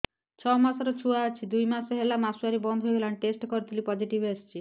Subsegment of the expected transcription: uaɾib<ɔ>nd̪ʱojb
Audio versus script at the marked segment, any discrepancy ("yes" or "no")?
no